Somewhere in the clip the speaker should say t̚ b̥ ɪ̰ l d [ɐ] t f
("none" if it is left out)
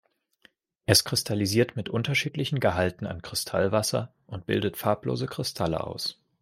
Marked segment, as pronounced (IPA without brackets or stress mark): ə